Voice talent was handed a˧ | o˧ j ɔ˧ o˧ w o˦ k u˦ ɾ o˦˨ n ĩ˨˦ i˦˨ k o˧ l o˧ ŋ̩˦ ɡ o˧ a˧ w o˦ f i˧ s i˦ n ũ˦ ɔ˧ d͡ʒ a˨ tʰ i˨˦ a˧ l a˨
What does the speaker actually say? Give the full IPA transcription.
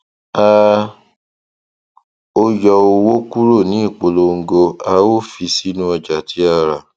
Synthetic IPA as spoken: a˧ | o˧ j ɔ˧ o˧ w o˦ k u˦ ɾ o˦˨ n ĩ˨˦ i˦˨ k͡p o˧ l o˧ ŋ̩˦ ɡ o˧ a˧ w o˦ f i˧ s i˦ n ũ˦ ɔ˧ d͡ʒ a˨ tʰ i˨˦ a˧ ɾ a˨